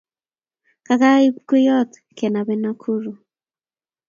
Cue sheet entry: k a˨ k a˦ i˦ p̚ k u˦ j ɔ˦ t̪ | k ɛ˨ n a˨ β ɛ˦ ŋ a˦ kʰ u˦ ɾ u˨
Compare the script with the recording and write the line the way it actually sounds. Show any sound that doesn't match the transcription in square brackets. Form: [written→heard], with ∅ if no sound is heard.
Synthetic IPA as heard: k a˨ k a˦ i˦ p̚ k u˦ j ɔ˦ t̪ | k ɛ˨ n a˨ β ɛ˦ [ŋ→n] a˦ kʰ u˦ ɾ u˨